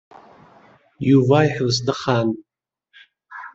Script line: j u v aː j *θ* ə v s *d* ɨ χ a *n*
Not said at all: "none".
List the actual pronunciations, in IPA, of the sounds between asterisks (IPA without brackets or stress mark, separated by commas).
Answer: ħ, d, n